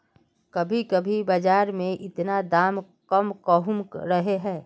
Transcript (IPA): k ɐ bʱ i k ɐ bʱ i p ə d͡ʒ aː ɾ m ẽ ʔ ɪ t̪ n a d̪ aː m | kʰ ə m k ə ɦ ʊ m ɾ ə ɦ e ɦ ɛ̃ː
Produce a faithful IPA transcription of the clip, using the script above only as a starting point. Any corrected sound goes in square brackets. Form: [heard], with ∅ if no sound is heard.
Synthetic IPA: k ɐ bʱ i k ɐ bʱ i [b] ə d͡ʒ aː ɾ m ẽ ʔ ɪ t̪ n a d̪ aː m | [k] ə m k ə ɦ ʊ m ɾ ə ɦ e ɦ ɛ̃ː